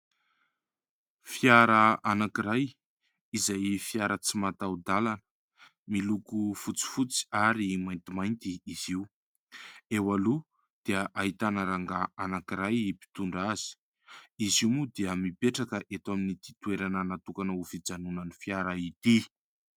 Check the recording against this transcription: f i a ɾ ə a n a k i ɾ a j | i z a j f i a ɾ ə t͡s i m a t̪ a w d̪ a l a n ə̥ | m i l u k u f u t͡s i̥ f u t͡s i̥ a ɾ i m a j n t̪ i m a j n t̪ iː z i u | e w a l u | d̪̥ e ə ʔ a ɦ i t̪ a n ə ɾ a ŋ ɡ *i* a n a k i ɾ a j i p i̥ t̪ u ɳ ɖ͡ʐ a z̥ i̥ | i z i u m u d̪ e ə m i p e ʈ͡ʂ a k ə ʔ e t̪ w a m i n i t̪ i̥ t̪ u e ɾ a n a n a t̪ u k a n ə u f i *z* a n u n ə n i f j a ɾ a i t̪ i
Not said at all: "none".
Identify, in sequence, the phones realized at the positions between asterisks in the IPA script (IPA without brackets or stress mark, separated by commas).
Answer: a, d͡z